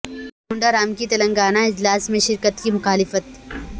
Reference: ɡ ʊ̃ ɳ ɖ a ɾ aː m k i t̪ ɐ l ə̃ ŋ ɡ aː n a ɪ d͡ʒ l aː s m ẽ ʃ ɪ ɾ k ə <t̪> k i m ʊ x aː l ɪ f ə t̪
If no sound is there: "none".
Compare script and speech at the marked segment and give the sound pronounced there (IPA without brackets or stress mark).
t̪